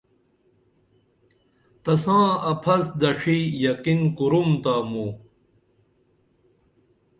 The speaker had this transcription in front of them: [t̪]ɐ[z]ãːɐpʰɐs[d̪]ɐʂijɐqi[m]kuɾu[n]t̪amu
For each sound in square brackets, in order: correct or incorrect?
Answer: correct, incorrect, correct, incorrect, incorrect

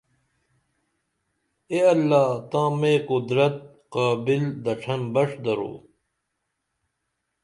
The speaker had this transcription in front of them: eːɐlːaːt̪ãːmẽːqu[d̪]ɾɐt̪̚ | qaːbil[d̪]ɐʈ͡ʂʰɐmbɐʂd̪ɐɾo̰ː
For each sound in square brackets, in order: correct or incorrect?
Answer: correct, correct

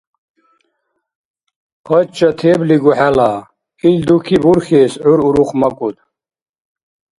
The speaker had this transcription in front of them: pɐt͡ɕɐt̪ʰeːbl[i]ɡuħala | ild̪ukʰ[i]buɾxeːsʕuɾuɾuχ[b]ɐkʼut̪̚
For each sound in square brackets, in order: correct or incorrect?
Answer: correct, correct, incorrect

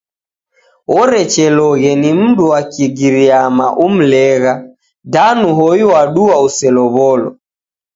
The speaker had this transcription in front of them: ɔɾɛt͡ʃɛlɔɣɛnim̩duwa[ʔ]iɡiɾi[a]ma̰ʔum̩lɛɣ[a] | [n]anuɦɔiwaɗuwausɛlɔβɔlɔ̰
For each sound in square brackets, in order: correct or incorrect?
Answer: incorrect, correct, correct, incorrect

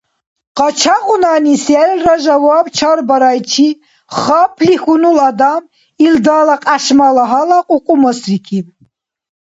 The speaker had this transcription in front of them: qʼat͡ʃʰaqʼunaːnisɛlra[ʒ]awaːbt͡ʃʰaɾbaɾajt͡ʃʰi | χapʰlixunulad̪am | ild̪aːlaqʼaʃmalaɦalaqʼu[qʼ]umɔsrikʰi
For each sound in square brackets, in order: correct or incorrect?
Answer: correct, correct

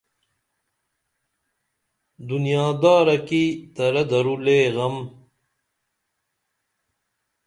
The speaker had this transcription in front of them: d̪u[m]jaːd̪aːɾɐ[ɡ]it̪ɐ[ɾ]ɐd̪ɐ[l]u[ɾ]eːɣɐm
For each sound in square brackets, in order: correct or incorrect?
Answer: incorrect, incorrect, correct, incorrect, incorrect

